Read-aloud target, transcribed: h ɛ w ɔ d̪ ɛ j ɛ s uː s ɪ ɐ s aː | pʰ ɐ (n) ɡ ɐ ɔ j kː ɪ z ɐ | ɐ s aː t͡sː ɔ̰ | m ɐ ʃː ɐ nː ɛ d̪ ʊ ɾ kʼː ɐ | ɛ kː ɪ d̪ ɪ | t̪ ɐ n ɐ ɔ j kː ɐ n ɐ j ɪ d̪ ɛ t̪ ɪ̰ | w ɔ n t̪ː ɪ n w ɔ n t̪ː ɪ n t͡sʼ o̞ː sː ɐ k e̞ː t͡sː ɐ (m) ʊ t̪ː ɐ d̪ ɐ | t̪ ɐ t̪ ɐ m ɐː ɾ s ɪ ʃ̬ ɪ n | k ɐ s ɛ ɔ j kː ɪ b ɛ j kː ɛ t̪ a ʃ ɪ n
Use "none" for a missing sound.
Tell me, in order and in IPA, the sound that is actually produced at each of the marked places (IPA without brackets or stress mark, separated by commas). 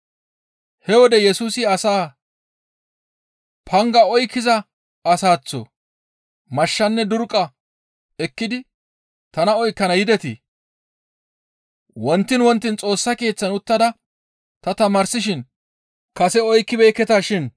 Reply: ŋ, n